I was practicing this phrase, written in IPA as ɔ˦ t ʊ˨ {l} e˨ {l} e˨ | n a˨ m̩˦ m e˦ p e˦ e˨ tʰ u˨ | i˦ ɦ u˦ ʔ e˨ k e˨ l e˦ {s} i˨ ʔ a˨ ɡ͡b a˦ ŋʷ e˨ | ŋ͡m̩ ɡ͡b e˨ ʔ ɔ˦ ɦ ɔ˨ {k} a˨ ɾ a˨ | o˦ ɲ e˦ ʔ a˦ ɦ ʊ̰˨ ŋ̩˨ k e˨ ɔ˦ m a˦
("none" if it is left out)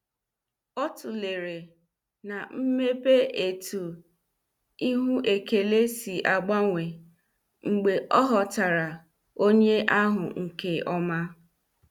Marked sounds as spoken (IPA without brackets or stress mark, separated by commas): l, ɾ, s, t